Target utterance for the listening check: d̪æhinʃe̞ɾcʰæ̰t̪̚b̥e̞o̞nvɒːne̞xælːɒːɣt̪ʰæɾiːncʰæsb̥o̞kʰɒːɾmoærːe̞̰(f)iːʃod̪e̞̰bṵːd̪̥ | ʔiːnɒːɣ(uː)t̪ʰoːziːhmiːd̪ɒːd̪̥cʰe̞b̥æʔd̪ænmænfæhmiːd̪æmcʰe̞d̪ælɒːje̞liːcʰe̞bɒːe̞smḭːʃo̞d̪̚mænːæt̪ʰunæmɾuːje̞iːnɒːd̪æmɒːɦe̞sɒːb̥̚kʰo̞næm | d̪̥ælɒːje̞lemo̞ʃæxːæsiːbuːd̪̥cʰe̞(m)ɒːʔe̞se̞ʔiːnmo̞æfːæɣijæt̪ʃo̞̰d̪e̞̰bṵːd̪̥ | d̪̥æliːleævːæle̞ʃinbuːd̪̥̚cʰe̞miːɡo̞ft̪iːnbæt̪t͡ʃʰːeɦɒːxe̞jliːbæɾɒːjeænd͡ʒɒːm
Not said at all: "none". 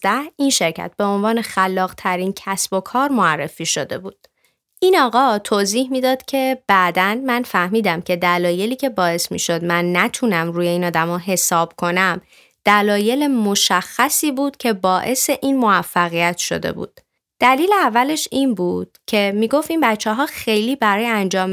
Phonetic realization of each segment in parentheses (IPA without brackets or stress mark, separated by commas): f, ɒː, b